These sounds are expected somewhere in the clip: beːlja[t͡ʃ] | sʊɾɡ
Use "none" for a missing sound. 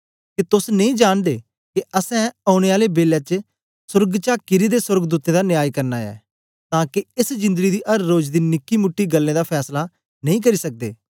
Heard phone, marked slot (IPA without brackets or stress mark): t͡ʃ